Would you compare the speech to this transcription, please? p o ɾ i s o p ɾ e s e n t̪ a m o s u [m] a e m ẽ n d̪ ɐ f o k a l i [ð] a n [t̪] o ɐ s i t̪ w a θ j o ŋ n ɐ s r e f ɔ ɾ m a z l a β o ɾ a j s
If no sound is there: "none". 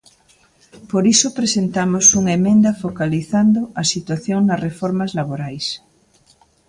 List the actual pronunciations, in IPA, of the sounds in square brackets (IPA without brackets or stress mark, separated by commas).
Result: ŋ, θ, d̪